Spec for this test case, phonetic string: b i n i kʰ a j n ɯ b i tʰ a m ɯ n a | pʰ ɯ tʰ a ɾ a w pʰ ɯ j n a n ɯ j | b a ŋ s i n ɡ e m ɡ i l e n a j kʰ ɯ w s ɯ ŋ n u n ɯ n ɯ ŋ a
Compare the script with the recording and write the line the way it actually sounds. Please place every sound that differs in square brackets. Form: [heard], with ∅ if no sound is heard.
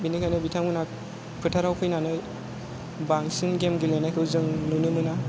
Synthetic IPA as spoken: b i n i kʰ a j n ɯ b i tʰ a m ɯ n a | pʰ ɯ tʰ a ɾ a w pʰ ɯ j n a n ɯ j | b a ŋ s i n ɡ e m ɡ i l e n a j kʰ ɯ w [z] ɯ ŋ n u n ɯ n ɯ [n] a